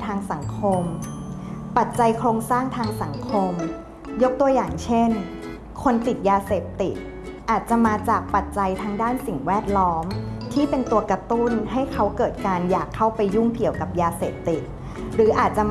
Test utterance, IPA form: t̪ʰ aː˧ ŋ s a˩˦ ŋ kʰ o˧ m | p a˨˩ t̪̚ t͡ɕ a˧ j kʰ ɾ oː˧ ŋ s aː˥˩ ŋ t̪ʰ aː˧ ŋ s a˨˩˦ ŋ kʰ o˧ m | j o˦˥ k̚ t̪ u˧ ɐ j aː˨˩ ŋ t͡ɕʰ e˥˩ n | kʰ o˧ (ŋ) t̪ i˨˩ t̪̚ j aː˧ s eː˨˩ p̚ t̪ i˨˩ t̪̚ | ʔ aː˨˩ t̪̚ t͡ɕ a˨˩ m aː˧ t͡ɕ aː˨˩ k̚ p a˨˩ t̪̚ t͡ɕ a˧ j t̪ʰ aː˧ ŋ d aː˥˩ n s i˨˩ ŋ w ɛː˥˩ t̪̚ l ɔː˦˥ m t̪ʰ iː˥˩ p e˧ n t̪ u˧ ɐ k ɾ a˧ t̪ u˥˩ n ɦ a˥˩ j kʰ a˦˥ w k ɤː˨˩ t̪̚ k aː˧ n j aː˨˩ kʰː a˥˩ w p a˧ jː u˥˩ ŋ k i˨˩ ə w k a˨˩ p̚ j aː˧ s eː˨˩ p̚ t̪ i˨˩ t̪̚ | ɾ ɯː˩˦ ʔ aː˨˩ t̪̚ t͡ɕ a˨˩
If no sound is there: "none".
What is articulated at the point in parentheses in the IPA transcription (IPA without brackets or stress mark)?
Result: n